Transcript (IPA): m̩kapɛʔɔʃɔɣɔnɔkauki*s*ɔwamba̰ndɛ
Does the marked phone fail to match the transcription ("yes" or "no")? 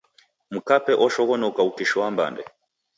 yes